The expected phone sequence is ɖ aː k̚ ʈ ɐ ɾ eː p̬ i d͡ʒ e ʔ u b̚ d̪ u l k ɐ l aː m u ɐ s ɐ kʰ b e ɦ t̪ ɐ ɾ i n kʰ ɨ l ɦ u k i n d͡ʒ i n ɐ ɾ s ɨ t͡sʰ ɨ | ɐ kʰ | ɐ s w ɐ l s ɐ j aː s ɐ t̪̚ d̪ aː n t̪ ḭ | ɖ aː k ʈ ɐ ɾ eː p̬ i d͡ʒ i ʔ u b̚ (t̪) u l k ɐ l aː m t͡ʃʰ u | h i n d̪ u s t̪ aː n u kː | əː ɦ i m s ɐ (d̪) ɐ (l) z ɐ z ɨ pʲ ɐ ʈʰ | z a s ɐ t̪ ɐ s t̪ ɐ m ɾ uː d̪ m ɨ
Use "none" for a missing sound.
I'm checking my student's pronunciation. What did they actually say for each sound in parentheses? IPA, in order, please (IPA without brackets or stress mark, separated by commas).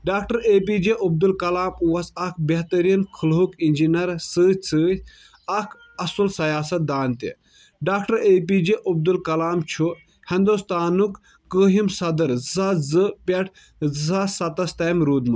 d̪, d̪, ɾ